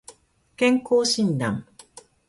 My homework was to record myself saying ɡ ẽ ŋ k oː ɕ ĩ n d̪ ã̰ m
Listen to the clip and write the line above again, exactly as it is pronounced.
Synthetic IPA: k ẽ ŋ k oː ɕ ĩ n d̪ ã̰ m

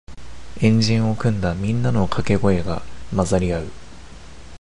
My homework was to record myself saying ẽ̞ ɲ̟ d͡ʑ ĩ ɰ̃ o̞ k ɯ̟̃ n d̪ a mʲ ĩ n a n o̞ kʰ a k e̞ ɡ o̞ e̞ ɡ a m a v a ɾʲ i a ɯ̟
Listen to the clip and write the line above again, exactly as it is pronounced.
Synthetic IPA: ẽ̞ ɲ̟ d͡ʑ ĩ ɰ̃ o̞ k ɯ̟̃ n d̪ a mʲ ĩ nː a n o̞ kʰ a k e̞ ɡ o̞ e̞ ɡ a m a z a ɾʲ i a ɯ̟

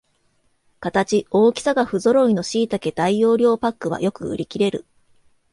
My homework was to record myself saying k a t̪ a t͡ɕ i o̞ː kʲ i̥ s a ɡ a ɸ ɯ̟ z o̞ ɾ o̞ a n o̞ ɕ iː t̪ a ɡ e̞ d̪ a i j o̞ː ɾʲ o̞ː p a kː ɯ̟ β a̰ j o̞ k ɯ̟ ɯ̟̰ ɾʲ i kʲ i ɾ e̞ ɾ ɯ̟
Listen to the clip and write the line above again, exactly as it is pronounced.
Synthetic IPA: k a t̪ a t͡ɕ i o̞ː kʲ i̥ s a ɡ a ɸ ɯ̟ z o̞ ɾ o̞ i n o̞ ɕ iː t̪ a k e̞ d̪ a i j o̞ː ɾʲ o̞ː p a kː ɯ̟ β a̰ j o̞ k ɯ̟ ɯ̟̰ ɾʲ i kʲ i ɾ e̞ ɾ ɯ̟

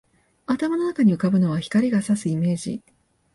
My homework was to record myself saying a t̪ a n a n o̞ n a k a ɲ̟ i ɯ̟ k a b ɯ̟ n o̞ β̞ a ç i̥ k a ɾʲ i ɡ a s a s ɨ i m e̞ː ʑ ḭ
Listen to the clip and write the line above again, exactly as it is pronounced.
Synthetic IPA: a t̪ a m a n o̞ n a k a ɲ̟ i ɯ̟ k a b ɯ̟ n o̞ β̞ a ç i̥ k a ɾʲ i ɡ a s a s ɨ i m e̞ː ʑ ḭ

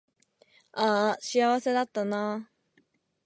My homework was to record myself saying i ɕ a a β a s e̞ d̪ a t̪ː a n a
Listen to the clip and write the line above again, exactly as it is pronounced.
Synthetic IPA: a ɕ i a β a s e̞ d̪ a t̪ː a n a

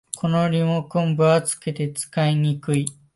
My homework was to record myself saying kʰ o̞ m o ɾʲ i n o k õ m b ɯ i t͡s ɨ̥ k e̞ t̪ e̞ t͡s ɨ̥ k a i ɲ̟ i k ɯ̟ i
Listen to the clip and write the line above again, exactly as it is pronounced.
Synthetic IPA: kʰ o̞ n o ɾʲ i m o k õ m b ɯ a t͡s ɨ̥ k e̞ t̪ e̞ t͡s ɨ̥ k a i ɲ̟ i k ɯ̟ i

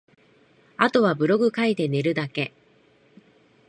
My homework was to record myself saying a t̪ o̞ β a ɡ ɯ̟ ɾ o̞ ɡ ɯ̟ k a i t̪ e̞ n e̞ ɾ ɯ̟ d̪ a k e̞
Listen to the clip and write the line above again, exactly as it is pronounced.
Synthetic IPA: a t̪ o̞ β a b ɯ̟ ɾ o̞ ɡ ɯ̟ k a i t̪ e̞ n e̞ ɾ ɯ̟ d̪ a k e̞

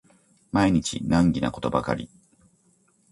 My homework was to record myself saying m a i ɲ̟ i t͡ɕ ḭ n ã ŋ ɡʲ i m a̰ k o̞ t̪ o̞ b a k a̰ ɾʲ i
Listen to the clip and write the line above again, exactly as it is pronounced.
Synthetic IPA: m a i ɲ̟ i t͡ɕ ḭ n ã ŋ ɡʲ i n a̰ k o̞ t̪ o̞ b a k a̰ ɾʲ i

